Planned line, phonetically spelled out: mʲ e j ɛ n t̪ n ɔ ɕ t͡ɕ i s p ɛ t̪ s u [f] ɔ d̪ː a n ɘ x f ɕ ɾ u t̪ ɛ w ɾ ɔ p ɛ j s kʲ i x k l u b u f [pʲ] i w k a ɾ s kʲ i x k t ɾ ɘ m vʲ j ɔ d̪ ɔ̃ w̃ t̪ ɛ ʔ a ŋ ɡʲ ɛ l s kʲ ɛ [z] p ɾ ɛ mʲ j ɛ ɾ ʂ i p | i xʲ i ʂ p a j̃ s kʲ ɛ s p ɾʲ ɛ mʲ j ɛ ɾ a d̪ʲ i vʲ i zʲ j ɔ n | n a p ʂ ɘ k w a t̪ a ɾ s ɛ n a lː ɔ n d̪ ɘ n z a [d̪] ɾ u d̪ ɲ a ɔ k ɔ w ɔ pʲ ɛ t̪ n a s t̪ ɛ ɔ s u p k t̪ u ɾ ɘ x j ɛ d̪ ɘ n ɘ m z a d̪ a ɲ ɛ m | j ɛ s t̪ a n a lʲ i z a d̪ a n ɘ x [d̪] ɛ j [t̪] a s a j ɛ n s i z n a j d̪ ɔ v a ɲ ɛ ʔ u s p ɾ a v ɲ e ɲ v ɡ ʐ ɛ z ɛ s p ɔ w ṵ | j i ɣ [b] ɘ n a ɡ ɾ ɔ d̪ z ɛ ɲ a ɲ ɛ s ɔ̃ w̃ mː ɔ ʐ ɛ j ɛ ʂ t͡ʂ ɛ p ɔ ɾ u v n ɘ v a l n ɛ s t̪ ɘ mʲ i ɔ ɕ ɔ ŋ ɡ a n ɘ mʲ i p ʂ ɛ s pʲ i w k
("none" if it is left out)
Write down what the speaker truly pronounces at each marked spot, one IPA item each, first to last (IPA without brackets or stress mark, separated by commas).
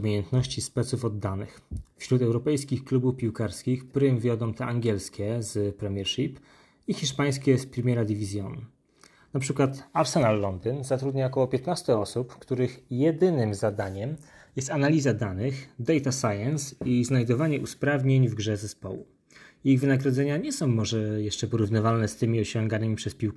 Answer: f, pʲ, z, t̪, d̪, t̪, v